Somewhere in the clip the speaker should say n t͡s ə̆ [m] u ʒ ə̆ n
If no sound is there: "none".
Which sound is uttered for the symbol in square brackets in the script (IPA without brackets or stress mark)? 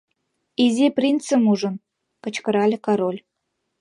m